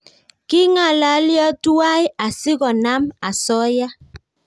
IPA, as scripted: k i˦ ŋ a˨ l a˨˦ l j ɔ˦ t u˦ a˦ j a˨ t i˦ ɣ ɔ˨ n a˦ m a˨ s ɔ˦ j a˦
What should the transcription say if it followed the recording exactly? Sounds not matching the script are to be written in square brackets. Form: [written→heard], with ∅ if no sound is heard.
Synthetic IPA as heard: k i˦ ŋ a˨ l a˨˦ l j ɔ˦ t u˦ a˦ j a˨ [t→s] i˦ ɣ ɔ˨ n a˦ m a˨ s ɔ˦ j a˦